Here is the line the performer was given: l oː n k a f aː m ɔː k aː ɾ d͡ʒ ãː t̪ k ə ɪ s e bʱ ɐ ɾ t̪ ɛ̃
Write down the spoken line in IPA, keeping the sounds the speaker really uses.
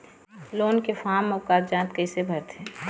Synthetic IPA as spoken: l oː n k e f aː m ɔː k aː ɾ d͡ʒ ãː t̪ k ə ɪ s e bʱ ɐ ɾ t̪ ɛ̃